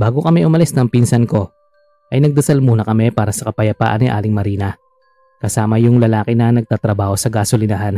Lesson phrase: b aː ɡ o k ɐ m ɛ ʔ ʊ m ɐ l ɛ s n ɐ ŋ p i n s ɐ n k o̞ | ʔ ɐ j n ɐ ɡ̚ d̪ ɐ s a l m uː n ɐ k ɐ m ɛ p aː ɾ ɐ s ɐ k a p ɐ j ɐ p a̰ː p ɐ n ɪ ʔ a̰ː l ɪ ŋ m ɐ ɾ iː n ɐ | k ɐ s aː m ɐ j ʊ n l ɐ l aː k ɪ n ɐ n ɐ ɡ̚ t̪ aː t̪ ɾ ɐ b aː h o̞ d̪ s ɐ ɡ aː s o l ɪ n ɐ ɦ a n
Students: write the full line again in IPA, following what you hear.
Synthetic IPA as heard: b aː ɡ o k ɐ m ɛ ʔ ʊ m ɐ l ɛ s n ɐ ŋ p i n s ɐ n k o̞ | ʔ ɐ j n ɐ ɡ̚ d̪ ɐ s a l m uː n ɐ k ɐ m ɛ p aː ɾ ɐ s ɐ k ɐ p ɐ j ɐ p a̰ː ʔ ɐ n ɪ ʔ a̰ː l ɪ ŋ m ɐ ɾ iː n ɐ | k ɐ s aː m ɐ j ʊ ŋ l ɐ l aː k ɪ n ɐ n ɐ ɡ̚ t̪ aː t̪ ɾ ɐ b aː h o̞ s ɐ ɡ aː s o l ɪ n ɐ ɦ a n